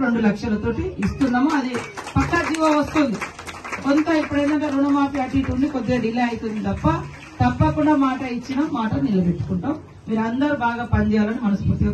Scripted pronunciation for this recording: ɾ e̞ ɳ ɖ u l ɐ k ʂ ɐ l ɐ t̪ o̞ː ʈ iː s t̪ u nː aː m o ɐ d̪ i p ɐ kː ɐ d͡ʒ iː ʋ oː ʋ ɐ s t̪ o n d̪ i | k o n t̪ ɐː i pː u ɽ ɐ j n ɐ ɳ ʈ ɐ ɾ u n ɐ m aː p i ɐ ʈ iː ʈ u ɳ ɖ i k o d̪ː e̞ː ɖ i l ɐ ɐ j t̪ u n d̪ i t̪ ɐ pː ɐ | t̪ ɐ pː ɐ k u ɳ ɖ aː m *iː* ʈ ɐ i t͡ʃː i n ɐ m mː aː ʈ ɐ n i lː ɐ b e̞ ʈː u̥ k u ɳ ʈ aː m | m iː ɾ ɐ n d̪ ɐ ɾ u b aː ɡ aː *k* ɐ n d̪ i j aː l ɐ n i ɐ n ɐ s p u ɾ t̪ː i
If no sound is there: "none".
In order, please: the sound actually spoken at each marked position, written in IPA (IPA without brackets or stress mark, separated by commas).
aː, p